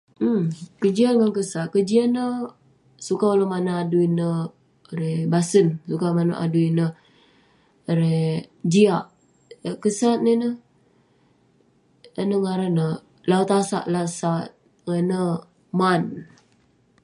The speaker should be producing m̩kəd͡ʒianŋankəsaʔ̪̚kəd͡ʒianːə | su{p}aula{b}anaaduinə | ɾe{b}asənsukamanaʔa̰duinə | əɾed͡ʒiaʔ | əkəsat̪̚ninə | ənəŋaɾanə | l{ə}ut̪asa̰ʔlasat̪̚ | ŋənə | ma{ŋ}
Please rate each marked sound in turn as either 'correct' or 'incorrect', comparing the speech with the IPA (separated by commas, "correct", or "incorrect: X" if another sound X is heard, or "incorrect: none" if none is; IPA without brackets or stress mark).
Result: incorrect: k, incorrect: m, correct, incorrect: a, incorrect: n